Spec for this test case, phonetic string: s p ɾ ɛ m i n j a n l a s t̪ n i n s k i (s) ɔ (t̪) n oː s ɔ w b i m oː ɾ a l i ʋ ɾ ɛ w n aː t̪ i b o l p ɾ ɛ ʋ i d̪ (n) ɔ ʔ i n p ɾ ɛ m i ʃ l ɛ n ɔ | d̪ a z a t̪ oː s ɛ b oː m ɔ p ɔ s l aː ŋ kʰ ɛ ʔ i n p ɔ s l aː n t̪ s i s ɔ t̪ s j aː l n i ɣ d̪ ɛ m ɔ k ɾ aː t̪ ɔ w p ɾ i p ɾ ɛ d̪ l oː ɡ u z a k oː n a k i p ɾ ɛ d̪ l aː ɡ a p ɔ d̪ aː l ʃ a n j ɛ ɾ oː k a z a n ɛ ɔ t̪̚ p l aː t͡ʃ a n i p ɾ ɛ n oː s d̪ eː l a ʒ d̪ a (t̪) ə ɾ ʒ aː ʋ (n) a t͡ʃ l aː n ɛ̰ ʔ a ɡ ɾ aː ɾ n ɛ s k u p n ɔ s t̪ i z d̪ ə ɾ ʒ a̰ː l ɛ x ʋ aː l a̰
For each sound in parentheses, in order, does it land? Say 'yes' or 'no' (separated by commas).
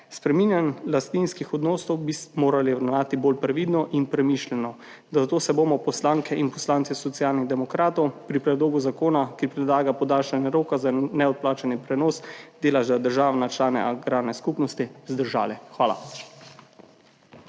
no, no, yes, no, yes